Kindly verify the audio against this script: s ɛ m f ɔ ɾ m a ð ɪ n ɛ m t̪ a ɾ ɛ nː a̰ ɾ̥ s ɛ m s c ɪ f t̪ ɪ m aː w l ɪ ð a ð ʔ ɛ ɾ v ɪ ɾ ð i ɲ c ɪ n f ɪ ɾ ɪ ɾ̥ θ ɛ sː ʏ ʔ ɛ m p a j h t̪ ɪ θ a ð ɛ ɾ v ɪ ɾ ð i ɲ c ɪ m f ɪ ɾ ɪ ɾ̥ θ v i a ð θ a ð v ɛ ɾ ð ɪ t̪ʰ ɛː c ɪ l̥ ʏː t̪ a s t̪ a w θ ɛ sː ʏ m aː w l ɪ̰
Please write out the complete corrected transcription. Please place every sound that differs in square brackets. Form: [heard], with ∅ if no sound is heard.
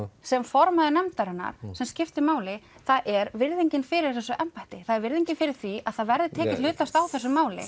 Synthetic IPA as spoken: s ɛ m f ɔ ɾ m a ð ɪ n ɛ m t̪ a ɾ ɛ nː a̰ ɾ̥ s ɛ m s c ɪ f t̪ ɪ m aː w l ɪ [θ] a ð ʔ ɛ ɾ v ɪ ɾ ð i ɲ c ɪ n f ɪ ɾ ɪ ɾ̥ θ ɛ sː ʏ ʔ ɛ m p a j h t̪ ɪ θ a ð ɛ ɾ v ɪ ɾ ð i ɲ c ɪ [n] f ɪ ɾ ɪ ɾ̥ θ v i a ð θ a ð v ɛ ɾ ð ɪ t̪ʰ ɛː c ɪ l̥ ʏː t̪ a s t̪ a w θ ɛ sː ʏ m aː w l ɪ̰

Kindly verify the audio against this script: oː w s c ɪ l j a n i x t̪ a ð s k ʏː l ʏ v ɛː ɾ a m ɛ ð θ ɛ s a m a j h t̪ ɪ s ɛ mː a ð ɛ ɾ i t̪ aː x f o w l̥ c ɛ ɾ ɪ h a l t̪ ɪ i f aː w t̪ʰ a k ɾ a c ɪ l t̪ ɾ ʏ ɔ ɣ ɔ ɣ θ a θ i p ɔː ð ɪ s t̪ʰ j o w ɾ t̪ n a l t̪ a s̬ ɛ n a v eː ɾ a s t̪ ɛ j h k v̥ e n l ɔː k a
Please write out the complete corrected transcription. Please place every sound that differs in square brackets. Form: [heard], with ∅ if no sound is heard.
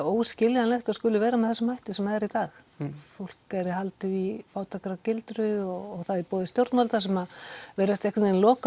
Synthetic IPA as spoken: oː w s c ɪ l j a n [ɛ] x t̪ a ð s k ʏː l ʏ v ɛː ɾ a m ɛ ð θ ɛ s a m a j h t̪ ɪ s ɛ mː a ð ɛ ɾ i t̪ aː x f o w l̥ [k] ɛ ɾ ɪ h a l t̪ ɪ i f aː w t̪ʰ a k ɾ a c ɪ l t̪ ɾ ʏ ɔ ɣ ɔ ɣ θ a [ð] i p ɔː ð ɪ s [t̪] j o w ɾ t̪ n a l t̪ a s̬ ɛ [m] a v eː ɾ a s t̪ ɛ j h k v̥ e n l ɔː k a

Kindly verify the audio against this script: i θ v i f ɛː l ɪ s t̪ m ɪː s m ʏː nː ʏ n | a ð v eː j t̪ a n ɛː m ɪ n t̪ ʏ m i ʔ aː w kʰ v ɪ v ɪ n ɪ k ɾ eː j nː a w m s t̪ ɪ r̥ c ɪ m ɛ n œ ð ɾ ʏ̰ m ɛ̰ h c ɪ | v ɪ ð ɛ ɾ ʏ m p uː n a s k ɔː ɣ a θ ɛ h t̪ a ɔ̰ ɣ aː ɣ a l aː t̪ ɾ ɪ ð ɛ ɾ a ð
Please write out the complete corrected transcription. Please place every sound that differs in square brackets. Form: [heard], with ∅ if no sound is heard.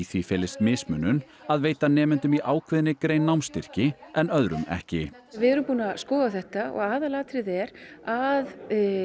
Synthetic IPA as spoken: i θ v i f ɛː l ɪ s t̪ m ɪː s m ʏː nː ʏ n | a ð v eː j t̪ a n ɛː m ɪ n t̪ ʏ m i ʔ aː w kʰ v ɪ [ð] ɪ n ɪ k ɾ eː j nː a w m s t̪ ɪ r̥ c ɪ [∅] ɛ n œ ð ɾ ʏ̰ m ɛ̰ h c ɪ | v ɪ ð ɛ ɾ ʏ m p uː n a s k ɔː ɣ a θ ɛ h t̪ a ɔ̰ ɣ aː [ð] a l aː t̪ ɾ ɪ ð ɛ ɾ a ð

